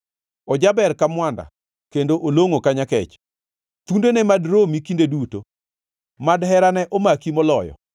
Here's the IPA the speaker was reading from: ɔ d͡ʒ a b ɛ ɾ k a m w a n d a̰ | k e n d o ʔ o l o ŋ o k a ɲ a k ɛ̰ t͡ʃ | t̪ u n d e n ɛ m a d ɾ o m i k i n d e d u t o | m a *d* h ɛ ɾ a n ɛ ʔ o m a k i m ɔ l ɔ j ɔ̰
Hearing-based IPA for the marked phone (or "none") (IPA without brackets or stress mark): d